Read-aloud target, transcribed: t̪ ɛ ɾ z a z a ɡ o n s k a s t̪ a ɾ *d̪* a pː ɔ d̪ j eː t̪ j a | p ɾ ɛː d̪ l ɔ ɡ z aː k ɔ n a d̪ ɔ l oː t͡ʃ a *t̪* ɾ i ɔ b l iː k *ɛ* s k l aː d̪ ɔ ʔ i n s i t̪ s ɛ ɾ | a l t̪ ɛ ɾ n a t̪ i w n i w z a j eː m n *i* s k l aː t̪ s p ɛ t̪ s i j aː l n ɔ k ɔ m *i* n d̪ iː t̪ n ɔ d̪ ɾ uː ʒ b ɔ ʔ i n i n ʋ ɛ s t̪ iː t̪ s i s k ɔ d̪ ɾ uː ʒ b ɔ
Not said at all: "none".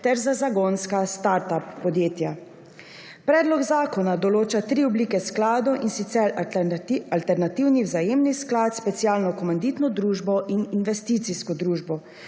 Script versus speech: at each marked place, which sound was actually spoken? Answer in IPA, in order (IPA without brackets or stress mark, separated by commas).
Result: t̪, t̪, ɛ, i, a